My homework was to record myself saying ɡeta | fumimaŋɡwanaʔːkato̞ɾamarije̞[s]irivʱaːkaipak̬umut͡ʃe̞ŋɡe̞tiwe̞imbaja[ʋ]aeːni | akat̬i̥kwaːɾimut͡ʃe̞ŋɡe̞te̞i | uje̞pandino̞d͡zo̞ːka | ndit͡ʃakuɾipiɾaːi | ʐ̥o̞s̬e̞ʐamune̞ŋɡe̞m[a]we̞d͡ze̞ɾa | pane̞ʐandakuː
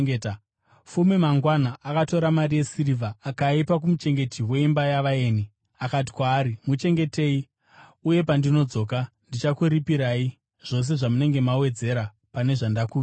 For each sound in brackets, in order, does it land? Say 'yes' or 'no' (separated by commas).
yes, yes, yes